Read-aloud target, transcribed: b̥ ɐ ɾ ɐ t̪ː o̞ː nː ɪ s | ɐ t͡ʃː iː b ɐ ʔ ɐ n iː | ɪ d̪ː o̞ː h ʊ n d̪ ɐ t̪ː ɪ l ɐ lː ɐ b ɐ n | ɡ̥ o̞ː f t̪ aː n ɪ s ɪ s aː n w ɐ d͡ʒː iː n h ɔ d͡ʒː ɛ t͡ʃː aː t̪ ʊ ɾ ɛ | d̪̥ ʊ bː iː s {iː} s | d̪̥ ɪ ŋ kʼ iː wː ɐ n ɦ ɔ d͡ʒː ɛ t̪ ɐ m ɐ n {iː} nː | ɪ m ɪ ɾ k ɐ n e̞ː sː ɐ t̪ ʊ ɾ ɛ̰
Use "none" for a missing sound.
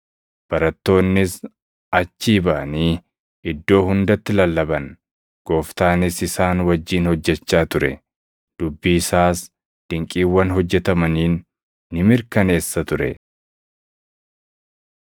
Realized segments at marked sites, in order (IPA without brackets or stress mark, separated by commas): aː, iː